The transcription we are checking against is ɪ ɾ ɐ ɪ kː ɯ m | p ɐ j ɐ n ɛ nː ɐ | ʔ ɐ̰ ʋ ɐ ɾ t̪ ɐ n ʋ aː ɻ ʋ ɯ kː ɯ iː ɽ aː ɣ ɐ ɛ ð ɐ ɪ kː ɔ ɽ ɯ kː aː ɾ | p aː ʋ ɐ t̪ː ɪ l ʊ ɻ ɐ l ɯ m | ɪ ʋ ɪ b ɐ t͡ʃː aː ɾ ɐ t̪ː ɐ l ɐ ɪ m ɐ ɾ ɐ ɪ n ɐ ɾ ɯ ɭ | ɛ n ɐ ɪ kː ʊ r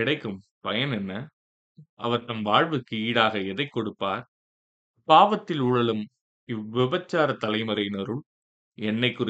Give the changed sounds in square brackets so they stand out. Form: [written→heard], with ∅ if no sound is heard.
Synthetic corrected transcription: ɪ [ɾ→ɽ] ɐ ɪ kː ɯ m | p ɐ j ɐ n ɛ nː ɐ | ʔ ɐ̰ ʋ ɐ ɾ t̪ ɐ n ʋ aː ɻ ʋ ɯ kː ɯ iː ɽ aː ɣ ɐ ɛ ð ɐ ɪ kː ɔ ɽ ɯ [kː→pː] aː ɾ | p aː ʋ ɐ t̪ː ɪ l ʊ ɻ ɐ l ɯ m | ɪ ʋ ɪ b ɐ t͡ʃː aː ɾ ɐ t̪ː ɐ l ɐ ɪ m ɐ ɾ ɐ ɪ n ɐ ɾ ɯ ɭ | ɛ [n→nː] ɐ ɪ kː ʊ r